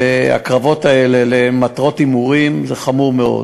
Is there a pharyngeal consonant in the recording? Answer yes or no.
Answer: no